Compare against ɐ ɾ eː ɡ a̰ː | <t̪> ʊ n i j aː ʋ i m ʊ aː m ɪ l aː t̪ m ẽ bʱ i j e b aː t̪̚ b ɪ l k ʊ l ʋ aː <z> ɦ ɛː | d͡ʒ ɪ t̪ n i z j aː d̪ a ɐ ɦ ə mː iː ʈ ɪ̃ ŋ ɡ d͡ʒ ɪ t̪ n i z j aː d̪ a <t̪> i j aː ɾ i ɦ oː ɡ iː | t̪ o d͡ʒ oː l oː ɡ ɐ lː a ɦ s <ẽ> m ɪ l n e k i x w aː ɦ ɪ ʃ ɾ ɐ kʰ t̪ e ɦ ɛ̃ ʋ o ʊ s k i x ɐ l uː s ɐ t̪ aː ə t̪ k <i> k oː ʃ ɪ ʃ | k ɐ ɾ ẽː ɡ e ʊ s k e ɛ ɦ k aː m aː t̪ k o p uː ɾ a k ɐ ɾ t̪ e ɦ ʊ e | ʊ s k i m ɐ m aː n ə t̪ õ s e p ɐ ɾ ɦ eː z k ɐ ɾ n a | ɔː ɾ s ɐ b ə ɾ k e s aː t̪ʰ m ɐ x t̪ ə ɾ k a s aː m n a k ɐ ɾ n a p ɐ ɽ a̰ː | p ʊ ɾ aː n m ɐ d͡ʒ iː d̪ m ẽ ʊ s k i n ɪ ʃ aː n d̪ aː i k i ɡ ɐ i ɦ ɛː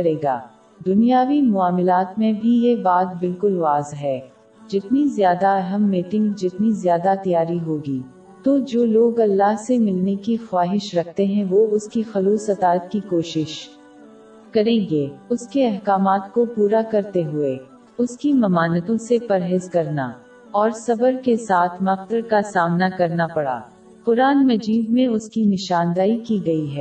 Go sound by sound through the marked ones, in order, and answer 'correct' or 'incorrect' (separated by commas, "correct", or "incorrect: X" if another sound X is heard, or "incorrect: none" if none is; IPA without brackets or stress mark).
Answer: incorrect: d̪, correct, correct, incorrect: e, correct